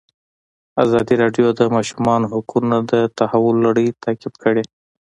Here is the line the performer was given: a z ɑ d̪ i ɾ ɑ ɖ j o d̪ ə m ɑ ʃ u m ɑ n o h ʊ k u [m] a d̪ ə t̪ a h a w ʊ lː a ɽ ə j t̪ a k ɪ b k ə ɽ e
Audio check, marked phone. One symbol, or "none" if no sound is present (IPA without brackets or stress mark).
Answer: n